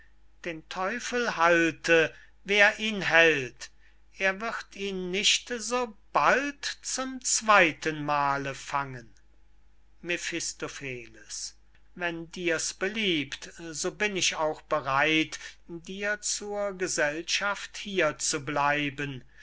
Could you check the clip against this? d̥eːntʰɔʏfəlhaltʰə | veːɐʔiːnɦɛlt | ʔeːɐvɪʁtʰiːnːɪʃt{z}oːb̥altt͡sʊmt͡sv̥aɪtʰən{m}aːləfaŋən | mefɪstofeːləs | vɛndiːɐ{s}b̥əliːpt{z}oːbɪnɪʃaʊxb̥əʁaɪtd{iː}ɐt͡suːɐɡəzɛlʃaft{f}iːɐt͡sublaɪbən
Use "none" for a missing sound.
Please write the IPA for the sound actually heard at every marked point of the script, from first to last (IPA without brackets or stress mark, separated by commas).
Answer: z, m, s, z, iː, h